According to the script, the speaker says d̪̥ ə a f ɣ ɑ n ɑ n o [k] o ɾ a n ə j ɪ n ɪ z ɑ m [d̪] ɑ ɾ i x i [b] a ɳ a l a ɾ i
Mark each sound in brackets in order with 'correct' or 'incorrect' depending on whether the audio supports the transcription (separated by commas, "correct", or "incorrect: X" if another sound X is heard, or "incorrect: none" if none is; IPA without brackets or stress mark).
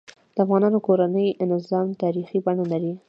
correct, incorrect: t̪, correct